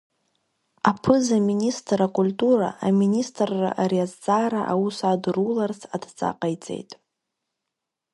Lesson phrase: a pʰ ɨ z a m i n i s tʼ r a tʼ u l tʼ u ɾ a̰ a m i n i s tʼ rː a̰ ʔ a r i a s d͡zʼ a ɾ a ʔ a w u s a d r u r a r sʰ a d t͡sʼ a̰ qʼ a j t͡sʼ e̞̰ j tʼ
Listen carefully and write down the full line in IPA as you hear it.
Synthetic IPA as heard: a pʰ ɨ z a m i n i s tʼ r a kʼ u l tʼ u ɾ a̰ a m i n i s tʼ rː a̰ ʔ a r i a z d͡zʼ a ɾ a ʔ a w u s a d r u l a r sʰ a d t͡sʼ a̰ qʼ a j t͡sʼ e̞̰ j tʼ